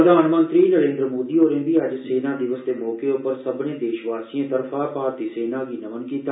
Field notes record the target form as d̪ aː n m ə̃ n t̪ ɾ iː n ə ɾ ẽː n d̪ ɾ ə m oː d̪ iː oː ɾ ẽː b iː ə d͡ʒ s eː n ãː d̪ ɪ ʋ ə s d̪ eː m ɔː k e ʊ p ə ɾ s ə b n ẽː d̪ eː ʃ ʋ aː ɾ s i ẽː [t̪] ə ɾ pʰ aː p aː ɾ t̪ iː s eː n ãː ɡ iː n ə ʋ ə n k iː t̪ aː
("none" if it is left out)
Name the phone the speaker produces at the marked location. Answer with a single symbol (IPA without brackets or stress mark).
t̪